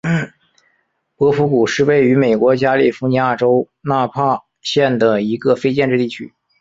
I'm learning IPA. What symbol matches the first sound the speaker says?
p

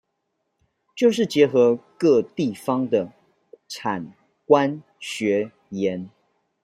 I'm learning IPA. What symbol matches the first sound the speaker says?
t͡ɕ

